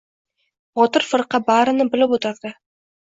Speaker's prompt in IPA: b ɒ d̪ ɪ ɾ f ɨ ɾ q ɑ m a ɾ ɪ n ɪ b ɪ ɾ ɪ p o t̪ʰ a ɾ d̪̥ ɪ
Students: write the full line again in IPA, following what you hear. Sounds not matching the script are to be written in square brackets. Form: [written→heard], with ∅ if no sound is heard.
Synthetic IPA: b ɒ [d̪→t̪] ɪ ɾ f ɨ ɾ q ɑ [m→b] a ɾ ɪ n ɪ b ɪ [ɾ→l] ɪ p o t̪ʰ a ɾ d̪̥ ɪ